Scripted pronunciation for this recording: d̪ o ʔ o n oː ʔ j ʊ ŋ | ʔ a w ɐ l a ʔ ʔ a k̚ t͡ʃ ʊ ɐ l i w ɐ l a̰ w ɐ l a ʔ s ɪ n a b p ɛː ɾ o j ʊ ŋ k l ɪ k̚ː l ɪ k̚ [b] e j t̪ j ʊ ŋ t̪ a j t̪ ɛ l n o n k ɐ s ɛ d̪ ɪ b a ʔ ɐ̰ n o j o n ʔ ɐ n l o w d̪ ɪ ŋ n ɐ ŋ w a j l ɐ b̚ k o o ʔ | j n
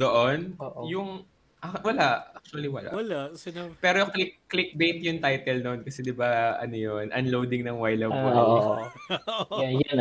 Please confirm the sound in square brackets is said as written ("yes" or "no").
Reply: yes